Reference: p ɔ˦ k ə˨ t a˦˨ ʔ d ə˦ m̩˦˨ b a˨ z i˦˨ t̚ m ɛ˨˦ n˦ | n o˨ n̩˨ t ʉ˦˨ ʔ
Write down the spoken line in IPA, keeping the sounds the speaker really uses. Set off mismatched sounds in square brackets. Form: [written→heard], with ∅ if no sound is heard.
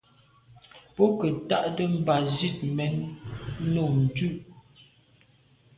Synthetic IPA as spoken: p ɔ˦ k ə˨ t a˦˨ ʔ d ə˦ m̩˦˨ b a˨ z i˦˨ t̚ m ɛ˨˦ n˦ | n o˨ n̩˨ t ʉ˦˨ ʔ